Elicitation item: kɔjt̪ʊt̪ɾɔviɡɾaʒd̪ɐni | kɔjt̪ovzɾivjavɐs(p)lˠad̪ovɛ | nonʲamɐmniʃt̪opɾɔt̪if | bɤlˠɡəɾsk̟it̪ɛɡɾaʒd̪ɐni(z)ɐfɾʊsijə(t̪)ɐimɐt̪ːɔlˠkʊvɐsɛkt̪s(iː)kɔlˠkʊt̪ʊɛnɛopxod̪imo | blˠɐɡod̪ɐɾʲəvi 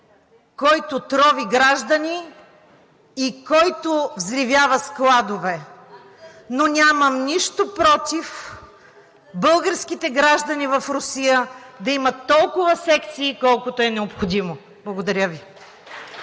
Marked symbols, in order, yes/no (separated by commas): no, no, no, yes